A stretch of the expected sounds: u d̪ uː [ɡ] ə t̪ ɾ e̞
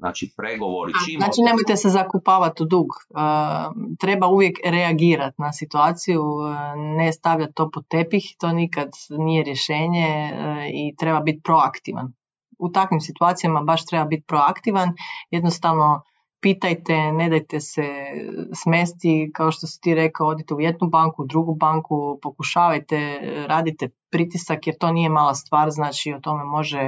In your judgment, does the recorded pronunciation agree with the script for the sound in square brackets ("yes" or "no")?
yes